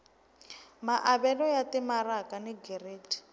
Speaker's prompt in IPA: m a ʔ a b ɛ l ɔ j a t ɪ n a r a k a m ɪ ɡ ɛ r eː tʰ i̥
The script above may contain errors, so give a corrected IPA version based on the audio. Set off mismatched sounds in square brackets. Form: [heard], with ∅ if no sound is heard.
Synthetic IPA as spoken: m a ʔ a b ɛ l ɔ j a t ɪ [m] a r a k a [n] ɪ ɡ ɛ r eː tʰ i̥